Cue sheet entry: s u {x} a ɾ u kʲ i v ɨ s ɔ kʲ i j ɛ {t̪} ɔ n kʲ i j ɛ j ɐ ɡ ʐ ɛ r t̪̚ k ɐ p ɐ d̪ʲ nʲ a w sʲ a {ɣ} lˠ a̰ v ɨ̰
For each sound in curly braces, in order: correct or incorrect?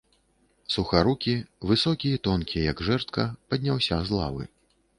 correct, correct, incorrect

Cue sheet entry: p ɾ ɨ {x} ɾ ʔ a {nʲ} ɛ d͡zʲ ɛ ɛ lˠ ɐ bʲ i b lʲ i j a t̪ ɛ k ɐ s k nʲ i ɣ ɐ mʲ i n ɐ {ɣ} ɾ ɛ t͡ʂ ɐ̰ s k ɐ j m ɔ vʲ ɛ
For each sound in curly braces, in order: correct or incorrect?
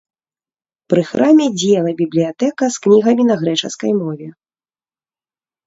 correct, incorrect, correct

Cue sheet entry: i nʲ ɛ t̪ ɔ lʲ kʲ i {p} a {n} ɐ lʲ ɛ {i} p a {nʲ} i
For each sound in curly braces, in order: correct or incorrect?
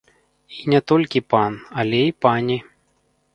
correct, correct, correct, correct

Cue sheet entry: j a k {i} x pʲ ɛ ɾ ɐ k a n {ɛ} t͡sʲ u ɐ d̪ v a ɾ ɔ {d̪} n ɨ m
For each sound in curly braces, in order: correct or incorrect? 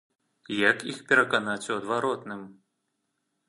correct, incorrect, incorrect

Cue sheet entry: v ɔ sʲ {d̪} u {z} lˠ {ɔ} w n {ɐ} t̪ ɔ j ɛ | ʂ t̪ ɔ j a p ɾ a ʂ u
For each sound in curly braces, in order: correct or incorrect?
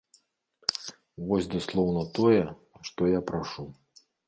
correct, incorrect, correct, correct

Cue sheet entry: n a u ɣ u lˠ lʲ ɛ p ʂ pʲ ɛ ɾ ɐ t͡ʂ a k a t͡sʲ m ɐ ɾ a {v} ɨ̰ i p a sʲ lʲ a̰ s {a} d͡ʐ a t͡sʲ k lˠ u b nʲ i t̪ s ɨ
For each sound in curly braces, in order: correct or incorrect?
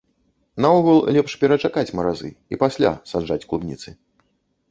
incorrect, correct

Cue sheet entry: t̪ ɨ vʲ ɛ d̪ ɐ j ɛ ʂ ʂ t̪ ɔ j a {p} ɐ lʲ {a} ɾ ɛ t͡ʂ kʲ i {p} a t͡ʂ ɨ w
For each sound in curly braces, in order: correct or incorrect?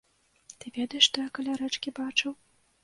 incorrect, correct, incorrect

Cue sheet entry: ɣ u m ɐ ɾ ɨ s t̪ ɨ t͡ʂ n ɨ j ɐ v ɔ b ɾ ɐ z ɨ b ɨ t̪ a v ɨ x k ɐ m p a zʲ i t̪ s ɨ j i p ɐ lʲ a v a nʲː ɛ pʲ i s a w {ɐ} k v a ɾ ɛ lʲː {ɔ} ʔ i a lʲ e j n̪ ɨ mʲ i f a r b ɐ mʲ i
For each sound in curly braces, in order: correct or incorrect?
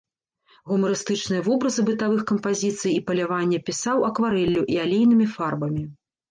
correct, incorrect

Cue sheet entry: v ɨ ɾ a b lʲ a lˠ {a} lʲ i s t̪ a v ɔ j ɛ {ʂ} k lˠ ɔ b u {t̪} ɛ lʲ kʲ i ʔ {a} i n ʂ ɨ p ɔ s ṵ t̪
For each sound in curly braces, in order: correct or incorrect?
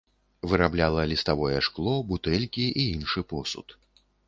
incorrect, correct, correct, incorrect

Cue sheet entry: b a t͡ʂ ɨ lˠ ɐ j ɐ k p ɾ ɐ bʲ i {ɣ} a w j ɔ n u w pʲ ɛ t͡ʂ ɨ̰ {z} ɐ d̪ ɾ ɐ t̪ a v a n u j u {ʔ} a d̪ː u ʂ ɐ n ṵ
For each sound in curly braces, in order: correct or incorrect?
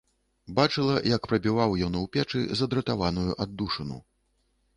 incorrect, correct, correct

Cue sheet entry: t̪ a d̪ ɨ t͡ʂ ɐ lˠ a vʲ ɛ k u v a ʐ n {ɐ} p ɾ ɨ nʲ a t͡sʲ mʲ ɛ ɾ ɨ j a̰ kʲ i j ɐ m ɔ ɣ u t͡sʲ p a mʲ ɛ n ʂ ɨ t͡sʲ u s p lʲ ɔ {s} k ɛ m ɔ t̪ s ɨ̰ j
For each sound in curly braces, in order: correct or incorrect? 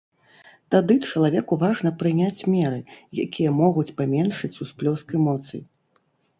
correct, correct

